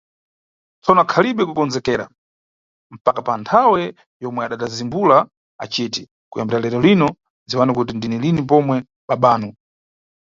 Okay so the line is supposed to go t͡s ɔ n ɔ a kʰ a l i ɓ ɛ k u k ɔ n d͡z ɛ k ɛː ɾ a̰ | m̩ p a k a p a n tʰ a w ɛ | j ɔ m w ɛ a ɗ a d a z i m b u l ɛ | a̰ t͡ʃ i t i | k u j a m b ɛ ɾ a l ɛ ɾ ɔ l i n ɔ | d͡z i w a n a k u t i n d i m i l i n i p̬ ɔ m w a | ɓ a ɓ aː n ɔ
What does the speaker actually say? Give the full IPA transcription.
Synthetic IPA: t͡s ɔ n ɔ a kʰ a l i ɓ ɛ k u k ɔ n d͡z ɛ k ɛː ɾ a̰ | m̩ p a k a p a n tʰ a w ɛ | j ɔ m w ɛ a ɗ a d a z i m b u l a | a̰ t͡ʃ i t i | k u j a m b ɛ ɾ a l ɛ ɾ ɔ l i n ɔ | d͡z i w a n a k u t i n d i n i l i n i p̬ ɔ m w ɛ | ɓ a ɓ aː n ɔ

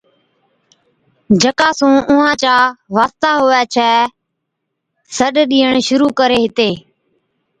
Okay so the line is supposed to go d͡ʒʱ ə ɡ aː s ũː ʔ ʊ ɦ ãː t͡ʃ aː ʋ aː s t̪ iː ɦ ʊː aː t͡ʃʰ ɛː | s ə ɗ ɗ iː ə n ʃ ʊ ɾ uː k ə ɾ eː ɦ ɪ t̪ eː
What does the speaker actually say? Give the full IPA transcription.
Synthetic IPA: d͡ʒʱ ə k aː s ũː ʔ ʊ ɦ ãː t͡ʃ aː ʋ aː s t̪ aː ɦ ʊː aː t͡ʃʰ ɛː | s ə ɗ ɗ iː ə ɳ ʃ ʊ ɾ uː k ə ɾ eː ɦ ɪ t̪ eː

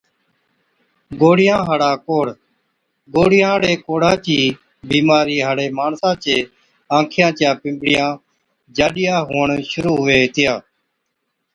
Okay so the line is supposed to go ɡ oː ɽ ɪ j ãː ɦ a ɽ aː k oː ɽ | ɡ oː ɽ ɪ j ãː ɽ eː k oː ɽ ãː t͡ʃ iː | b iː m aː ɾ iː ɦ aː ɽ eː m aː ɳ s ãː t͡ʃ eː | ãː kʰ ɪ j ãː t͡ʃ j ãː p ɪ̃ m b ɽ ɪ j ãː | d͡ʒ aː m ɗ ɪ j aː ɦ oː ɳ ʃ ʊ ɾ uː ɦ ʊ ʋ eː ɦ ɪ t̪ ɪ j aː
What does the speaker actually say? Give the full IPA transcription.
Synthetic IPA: ɡ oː ɽ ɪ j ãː ɦ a ɽ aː k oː ɽ | ɡ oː ɽ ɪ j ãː ɽ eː k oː ɽ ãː t͡ʃ iː | b iː m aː ɾ iː ɦ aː ɽ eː m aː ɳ s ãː t͡ʃ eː | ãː kʰ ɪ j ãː t͡ʃ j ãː p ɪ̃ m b ɽ ɪ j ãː | d͡ʒ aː ɗ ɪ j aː ɦ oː ɳ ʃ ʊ ɾ uː ɦ ʊ ʋ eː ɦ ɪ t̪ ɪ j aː

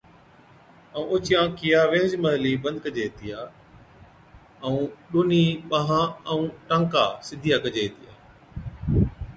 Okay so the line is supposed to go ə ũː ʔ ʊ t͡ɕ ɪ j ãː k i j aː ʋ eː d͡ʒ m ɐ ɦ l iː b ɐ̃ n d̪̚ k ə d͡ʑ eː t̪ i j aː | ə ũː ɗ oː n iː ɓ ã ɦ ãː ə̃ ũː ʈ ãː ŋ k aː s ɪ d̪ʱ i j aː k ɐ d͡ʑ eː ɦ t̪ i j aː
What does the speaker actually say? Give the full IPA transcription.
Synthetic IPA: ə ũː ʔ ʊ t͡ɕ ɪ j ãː k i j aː ʋ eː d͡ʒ m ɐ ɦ l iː b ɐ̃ n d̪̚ k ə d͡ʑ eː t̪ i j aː | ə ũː ɗ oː n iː ɓ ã ɦ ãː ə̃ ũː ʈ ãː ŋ k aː s ɪ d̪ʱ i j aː k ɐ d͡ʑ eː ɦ t̪ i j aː

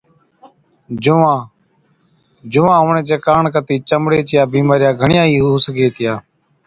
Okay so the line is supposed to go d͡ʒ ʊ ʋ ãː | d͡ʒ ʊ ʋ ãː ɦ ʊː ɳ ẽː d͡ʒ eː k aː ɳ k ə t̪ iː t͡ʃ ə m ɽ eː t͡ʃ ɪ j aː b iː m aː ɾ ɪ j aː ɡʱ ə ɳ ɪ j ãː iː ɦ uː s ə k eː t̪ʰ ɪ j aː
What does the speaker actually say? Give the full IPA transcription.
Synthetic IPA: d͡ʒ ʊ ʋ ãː | d͡ʒ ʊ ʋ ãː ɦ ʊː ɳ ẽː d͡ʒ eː k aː ɳ k ə t̪ iː t͡ʃ ə m ɽ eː t͡ʃ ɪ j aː b iː m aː ɾ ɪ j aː ɡʱ ə ɳ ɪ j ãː iː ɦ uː s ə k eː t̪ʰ ɪ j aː

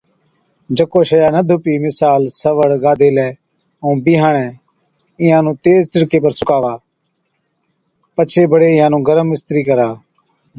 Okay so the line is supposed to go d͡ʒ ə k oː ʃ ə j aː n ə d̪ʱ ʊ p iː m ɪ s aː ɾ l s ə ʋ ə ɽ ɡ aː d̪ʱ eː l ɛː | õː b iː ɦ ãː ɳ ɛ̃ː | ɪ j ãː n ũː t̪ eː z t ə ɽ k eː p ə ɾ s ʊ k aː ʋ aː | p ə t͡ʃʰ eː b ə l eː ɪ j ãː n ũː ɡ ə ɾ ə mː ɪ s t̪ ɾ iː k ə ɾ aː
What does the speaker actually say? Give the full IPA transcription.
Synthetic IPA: d͡ʒ ə k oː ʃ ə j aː n ə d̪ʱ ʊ p iː m ɪ s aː l s ə ʋ ə ɽ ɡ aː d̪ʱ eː l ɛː | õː b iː ɦ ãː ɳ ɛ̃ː | ɪ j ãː n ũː t̪ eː z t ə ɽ k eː p ə ɾ s ʊ k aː ʋ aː | p ə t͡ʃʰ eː b ə ɽ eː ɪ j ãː n ũː ɡ ə ɾ ə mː ɪ s t̪ ɾ iː k ə ɾ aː

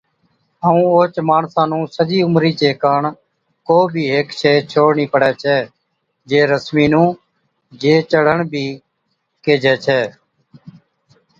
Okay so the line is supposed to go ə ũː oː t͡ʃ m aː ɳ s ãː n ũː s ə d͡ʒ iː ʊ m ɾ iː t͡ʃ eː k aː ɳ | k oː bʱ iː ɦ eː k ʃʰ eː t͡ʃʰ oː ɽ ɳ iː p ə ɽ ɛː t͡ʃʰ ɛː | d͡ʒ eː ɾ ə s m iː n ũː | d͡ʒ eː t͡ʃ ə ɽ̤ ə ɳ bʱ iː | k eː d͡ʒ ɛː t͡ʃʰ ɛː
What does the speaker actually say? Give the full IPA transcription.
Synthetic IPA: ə ũː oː t͡ʃ m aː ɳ s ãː n ũː s ə d͡ʒ iː ʊ m ɾ iː t͡ʃ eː k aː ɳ | k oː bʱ iː ɦ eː k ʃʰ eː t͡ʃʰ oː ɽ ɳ iː p ə ɽ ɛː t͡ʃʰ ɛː | d͡ʒ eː ɾ ə s m iː n ũː | d͡ʒ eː t͡ʃ ə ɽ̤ ə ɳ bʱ iː | k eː d͡ʒ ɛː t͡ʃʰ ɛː

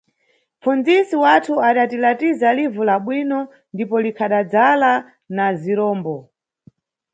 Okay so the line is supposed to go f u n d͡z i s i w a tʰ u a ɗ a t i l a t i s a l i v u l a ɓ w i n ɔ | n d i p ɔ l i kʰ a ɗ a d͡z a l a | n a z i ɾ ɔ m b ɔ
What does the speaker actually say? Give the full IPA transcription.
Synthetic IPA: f u n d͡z i s i w a tʰ u a ɗ a t i l a t i z a l i v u l a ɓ w i n ɔ | n d i p ɔ l i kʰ a ɗ a d͡z a l a | n a z i ɾ ɔː m b ɔ

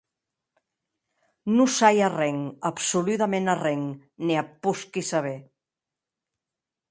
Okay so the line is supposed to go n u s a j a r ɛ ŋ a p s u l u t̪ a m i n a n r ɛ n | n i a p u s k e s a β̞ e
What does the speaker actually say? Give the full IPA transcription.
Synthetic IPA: n u s a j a r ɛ ŋ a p s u l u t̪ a m e n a r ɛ ŋ | n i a p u s k i s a β̞ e

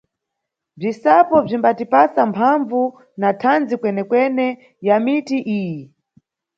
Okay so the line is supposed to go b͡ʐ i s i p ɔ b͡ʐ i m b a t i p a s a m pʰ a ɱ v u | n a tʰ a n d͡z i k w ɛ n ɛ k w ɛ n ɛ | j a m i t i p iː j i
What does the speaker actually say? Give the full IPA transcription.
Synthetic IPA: b͡ʐ i s a p ɔ b͡ʐ i m b a t i p a s a m pʰ a ɱ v u | n a tʰ a n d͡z i k w ɛ n ɛ k w ɛ n ɛ | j a m i t i ʔ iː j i

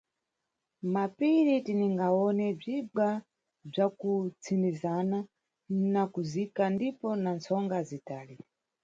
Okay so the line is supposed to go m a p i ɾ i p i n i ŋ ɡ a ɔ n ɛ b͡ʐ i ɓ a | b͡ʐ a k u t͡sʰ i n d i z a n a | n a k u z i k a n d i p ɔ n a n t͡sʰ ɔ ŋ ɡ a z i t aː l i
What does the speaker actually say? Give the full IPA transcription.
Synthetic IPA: m a p i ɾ i t i n i ŋ ɡ a ɔ n ɛ b͡ʐ i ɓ a | b͡ʐ a k u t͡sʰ i n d i z a n a | n a k u z i k a n d i p ɔ n a n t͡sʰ ɔ ŋ ɡ a z i t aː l i

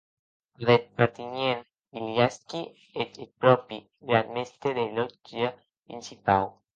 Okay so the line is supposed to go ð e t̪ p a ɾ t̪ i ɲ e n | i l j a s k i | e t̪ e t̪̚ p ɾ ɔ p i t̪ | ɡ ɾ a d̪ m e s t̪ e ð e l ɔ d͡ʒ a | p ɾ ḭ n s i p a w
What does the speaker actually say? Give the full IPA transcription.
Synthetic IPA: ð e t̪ p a ɾ t̪ i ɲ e n | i l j a s k i | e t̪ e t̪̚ p ɾ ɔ p i | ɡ ɾ a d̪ m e s t̪ e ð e l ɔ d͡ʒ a | p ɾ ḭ n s i p a w

